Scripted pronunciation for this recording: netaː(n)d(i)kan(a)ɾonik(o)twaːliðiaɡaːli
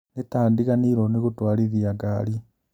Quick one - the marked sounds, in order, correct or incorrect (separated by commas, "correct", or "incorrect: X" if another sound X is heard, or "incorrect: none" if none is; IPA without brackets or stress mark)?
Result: correct, correct, incorrect: i, incorrect: u